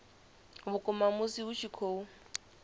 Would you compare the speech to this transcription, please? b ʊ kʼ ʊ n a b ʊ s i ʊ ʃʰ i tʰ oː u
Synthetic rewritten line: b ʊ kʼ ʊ m a m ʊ s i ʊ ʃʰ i kʰ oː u